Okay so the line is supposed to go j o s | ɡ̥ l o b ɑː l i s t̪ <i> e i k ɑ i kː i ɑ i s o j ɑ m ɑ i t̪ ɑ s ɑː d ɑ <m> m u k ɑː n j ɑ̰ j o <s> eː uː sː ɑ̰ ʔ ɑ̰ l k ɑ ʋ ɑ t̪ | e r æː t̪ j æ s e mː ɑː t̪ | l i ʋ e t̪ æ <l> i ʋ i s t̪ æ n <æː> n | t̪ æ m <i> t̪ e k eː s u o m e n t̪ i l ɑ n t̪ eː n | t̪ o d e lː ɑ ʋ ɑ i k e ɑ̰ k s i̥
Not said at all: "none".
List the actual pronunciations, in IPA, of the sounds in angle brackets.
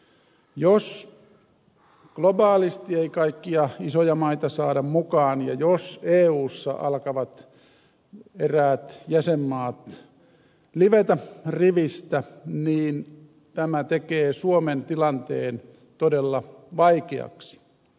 i, m, s, r, iː, æ

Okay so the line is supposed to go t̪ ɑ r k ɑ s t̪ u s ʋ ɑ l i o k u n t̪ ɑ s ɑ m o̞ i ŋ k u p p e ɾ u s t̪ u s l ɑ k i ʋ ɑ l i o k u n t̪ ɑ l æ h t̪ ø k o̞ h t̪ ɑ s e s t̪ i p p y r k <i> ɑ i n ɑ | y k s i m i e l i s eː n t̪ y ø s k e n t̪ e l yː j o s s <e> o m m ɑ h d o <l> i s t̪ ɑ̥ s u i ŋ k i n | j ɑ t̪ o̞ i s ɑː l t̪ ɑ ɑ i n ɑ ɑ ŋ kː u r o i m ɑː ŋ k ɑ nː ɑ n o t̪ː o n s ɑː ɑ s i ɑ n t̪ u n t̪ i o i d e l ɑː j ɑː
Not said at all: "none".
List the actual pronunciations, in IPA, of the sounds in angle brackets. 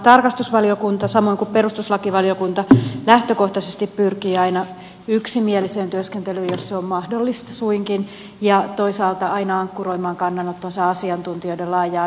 iː, e, lː

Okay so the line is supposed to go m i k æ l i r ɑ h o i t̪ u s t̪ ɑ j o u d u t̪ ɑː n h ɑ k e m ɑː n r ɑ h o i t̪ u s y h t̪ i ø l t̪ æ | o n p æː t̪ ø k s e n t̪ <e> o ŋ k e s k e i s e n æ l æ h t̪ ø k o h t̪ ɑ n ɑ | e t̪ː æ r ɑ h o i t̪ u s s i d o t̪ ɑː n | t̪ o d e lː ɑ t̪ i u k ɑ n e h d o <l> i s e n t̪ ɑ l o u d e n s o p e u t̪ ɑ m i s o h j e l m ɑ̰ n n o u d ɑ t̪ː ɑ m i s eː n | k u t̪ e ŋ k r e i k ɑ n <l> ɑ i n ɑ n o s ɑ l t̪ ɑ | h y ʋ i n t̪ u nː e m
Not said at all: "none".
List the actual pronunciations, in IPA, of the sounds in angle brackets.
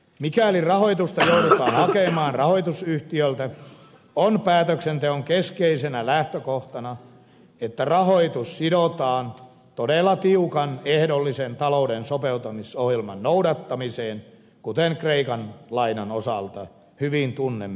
e, lː, l

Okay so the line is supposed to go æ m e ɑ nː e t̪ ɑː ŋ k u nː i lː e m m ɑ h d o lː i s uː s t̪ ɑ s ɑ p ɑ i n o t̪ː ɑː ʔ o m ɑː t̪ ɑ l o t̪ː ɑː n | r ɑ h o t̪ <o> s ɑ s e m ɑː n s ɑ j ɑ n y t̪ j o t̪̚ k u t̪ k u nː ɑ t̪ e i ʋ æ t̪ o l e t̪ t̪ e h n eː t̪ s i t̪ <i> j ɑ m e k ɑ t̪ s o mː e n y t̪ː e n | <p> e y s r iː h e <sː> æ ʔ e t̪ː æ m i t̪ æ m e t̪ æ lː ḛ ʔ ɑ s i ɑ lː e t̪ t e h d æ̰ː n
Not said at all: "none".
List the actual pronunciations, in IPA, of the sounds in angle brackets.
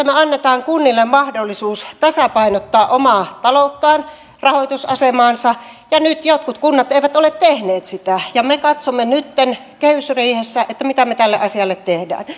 u, æ, k, sː

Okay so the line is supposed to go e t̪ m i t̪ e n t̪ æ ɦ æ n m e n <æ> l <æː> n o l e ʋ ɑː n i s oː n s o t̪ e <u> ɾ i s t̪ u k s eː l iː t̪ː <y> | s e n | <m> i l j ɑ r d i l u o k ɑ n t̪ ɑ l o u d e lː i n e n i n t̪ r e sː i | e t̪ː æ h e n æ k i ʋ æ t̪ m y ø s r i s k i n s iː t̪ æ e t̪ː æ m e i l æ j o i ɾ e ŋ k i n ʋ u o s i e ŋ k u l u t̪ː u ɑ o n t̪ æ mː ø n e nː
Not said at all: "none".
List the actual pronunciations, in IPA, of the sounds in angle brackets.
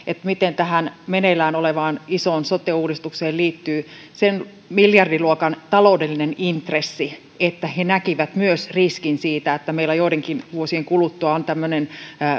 e, æː, uː, yː, m

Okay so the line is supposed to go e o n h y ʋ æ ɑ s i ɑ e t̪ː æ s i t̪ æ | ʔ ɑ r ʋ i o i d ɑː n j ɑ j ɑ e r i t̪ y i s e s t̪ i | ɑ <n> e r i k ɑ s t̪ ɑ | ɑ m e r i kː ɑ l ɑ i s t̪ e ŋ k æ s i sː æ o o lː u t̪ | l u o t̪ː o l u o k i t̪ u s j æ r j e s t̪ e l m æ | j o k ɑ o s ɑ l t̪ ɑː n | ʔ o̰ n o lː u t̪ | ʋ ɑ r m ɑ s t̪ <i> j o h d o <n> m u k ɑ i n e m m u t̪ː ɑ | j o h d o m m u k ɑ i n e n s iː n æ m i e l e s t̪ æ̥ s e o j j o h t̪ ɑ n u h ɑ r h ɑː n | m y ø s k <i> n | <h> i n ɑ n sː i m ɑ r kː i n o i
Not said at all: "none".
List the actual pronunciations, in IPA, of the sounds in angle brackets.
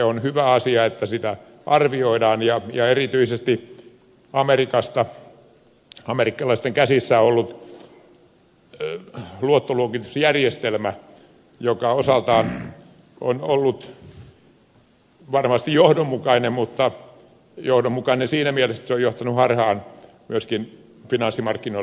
m, i, m, i, f

